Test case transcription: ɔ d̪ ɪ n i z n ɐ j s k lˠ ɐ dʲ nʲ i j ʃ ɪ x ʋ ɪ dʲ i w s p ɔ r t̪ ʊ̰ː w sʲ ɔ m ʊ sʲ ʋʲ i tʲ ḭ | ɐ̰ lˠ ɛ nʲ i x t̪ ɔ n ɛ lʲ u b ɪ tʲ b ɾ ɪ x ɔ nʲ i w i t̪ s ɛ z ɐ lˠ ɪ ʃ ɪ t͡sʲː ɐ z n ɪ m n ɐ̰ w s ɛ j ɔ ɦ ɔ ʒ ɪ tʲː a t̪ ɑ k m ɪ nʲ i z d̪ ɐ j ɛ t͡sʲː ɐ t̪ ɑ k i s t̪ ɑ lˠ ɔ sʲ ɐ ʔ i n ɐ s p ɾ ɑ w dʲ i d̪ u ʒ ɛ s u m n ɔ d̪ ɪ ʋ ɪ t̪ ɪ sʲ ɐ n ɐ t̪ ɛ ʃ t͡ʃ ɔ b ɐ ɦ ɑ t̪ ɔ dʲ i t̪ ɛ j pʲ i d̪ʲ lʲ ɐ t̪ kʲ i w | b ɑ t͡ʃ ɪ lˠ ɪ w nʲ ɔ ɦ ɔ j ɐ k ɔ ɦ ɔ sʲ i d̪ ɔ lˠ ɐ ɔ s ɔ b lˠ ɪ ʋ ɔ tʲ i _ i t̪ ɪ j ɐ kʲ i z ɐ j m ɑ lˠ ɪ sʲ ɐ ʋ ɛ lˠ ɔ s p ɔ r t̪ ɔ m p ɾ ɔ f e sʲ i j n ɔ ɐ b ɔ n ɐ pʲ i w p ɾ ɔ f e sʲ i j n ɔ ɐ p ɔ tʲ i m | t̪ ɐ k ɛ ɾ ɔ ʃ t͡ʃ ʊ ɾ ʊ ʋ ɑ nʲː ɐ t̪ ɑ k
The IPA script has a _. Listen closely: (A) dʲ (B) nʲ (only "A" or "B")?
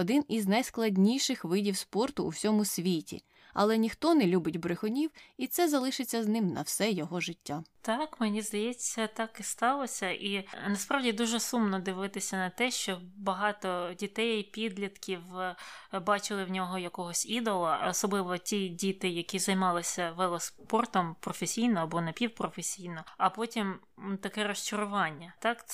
A